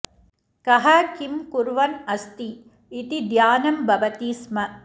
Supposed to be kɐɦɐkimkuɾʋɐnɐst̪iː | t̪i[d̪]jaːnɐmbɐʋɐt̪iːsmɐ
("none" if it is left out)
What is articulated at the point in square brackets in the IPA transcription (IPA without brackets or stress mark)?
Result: d̪